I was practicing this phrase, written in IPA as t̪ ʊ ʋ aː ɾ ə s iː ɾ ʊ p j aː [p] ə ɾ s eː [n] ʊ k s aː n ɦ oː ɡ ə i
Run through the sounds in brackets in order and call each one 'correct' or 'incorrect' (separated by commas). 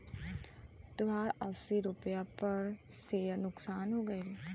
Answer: correct, correct